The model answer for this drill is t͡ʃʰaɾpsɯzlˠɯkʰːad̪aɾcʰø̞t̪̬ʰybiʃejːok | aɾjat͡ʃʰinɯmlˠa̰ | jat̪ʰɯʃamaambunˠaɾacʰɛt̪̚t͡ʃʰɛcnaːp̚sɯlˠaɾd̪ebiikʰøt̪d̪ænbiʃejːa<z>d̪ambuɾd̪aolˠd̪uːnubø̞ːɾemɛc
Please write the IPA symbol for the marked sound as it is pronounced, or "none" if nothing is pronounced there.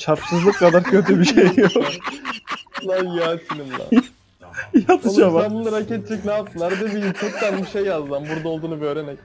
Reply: z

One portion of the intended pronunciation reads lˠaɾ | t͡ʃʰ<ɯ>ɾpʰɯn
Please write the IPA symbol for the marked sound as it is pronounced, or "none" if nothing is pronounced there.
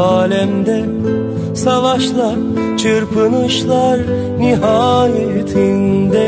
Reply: ɯ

